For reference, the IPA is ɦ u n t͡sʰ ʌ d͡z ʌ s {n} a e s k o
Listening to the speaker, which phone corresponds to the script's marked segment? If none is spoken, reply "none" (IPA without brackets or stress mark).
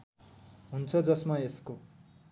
m